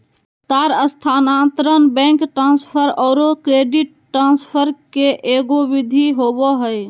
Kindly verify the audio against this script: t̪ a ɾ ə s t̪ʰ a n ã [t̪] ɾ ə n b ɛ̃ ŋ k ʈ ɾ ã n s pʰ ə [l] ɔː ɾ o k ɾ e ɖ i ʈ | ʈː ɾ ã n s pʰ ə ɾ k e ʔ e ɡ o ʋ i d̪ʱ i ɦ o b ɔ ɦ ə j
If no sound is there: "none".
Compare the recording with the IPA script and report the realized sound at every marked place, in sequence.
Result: t̪, ɾ

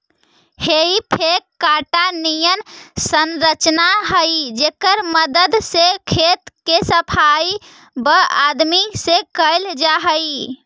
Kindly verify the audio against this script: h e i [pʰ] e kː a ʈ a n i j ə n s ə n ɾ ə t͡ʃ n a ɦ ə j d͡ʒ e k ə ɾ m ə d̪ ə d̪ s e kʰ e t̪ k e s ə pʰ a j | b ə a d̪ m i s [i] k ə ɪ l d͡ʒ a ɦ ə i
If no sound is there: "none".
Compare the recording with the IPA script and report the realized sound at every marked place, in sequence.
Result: pʰ, e

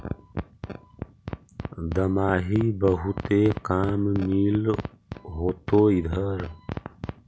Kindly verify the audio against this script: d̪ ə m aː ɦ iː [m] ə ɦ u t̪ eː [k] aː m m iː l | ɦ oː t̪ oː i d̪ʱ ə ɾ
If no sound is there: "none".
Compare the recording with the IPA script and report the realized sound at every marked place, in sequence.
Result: b, k

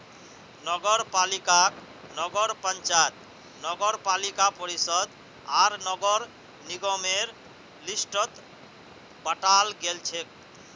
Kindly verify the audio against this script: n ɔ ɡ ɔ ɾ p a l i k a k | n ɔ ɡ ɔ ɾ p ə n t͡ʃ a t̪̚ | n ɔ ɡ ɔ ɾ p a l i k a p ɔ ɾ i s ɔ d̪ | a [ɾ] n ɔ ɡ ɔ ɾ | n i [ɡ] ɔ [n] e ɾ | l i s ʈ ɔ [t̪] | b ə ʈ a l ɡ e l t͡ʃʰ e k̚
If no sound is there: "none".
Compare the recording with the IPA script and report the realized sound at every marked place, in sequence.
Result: ɾ, ɡ, m, t̪

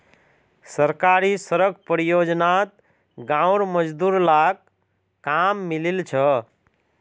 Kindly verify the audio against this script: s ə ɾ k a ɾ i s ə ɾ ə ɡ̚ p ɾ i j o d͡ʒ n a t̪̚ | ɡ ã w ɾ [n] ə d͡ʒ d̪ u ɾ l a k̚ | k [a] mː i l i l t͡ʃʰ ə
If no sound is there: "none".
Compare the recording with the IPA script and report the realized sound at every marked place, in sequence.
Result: m, a

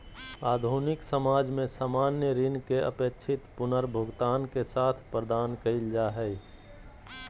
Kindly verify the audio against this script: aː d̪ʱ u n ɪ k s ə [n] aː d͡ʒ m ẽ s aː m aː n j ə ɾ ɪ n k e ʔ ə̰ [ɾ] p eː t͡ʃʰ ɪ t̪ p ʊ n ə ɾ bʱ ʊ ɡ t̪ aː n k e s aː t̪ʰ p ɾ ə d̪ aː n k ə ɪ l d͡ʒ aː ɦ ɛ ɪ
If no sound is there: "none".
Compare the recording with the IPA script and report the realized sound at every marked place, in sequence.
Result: m, none

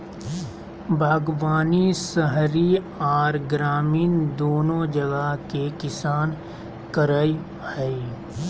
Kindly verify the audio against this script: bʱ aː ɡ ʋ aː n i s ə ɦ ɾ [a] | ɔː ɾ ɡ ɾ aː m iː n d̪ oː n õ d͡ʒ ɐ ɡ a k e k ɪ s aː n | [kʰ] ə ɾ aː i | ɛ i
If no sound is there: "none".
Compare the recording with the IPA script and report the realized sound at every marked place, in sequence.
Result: i, k

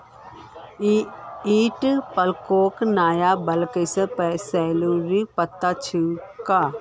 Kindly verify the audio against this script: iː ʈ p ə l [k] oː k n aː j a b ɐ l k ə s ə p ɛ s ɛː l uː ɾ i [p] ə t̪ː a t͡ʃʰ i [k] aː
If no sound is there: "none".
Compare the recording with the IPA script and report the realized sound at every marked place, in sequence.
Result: k, p, k

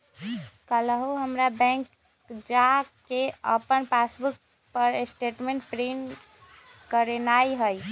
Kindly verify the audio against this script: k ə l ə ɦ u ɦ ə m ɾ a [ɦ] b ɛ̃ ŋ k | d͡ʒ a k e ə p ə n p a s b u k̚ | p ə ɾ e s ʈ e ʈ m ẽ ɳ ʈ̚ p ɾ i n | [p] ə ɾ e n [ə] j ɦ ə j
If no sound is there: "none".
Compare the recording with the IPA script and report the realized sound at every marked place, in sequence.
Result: none, k, a

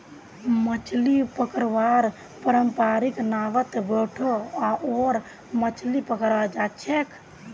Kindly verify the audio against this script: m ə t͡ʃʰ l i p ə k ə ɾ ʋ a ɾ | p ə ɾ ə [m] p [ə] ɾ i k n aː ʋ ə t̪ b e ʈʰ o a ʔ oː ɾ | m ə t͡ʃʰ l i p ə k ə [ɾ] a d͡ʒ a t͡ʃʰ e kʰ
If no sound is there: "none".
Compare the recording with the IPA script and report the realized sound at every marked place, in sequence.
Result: m, a, ɾ

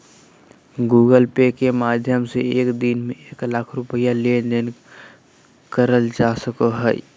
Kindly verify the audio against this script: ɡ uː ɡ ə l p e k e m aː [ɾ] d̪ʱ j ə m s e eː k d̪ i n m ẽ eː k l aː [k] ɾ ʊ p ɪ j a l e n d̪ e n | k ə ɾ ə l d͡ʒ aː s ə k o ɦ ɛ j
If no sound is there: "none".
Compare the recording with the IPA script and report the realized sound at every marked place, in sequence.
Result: none, kʰ

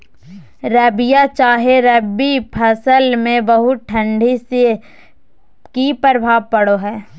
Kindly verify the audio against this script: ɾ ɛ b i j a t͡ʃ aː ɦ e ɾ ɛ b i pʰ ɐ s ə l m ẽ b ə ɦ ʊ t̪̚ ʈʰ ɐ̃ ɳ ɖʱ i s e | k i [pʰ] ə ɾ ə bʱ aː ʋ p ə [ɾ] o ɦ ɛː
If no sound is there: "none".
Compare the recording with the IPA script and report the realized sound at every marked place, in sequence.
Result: p, ɽ

